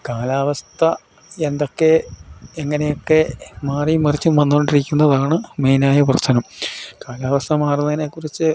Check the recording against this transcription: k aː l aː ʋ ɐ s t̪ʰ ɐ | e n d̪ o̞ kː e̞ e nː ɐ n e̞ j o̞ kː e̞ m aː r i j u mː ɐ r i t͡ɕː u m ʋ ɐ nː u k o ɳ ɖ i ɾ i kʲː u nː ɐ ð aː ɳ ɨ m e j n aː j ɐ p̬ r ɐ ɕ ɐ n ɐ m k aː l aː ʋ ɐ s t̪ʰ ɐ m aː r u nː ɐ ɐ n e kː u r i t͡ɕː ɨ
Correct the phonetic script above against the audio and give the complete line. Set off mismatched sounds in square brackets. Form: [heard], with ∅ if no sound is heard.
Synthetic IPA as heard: k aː l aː ʋ ɐ s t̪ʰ ɐ | e n d̪ o̞ kː e̞ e [ŋː] ɐ n e̞ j o̞ kː e̞ m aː r i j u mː ɐ r i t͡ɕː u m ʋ ɐ nː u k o ɳ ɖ i ɾ i kʲː u nː ɐ ð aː ɳ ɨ m e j n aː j ɐ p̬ r ɐ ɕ ɐ n ɐ m k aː l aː ʋ ɐ s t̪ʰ ɐ m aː r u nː ɐ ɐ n e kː u r i t͡ɕː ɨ

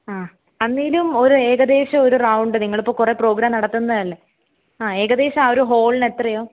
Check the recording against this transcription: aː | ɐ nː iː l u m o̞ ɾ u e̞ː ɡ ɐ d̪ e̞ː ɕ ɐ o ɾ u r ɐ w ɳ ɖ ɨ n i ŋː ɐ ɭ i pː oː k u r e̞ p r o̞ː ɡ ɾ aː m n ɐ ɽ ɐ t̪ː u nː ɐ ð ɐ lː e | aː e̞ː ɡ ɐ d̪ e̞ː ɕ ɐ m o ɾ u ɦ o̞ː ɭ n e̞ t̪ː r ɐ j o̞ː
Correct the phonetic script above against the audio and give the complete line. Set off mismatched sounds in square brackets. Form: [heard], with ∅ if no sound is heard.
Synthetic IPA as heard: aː | ɐ nː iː l u m o̞ ɾ u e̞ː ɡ ɐ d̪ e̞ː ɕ ɐ o ɾ u r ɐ w ɳ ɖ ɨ n i ŋː ɐ ɭ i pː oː k u r e̞ p r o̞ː ɡ ɾ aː m n ɐ ɽ ɐ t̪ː u nː ɐ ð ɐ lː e | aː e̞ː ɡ ɐ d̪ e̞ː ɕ ɐ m o ɾ u ɦ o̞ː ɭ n e̞ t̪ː r ɐ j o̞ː

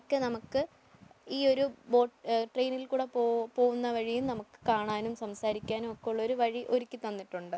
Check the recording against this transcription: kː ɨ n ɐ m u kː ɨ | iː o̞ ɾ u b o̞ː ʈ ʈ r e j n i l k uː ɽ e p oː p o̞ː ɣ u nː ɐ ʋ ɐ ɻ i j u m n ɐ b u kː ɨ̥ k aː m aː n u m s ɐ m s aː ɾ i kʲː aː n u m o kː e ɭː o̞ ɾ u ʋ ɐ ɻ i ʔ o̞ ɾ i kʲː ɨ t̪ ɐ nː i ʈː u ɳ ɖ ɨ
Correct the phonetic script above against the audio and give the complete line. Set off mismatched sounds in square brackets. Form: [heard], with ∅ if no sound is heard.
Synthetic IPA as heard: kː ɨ n ɐ m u kː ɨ | iː o̞ ɾ u b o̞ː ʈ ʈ r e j n i l k uː ɽ e p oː p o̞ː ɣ u nː ɐ ʋ ɐ ɻ i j u m n ɐ [m] u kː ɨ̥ k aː [ɳ] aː n u m s ɐ m s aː ɾ i kʲː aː n u m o kː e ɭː o̞ ɾ u ʋ ɐ ɻ i ʔ o̞ ɾ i kʲː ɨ t̪ ɐ nː i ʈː u ɳ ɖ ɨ

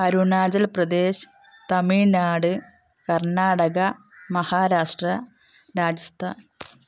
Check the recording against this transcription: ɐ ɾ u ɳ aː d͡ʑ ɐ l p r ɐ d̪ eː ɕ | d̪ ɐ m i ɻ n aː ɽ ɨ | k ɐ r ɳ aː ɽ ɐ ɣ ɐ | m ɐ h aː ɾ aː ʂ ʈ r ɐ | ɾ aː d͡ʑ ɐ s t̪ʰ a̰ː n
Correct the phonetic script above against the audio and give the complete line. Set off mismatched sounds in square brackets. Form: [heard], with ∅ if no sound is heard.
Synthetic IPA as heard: ɐ ɾ u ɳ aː d͡ʑ ɐ l p r ɐ d̪ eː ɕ | [t̪] ɐ m i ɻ n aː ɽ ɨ | k ɐ r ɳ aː ɽ ɐ ɣ ɐ | m ɐ h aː ɾ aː ʂ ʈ r ɐ | ɾ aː d͡ʑ ɐ s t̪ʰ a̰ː n

